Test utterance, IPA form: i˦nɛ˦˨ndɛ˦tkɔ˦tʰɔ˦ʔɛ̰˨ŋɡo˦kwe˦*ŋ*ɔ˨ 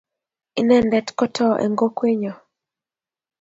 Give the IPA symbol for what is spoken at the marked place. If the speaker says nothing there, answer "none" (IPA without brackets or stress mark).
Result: ɲ